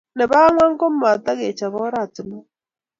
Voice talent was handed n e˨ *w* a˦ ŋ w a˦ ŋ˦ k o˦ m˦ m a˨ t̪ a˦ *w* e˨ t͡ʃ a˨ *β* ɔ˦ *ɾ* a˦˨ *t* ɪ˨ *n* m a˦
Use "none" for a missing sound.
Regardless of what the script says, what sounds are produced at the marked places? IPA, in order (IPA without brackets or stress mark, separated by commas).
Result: β, ɣ, β, ɾ, t, none